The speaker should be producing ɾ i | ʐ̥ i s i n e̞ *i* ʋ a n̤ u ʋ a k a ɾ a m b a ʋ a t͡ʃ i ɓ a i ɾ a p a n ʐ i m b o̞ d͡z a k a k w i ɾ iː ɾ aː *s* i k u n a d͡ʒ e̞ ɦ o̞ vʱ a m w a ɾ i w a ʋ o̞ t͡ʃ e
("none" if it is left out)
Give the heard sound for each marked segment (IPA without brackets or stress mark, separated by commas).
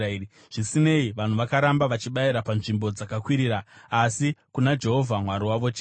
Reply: i, s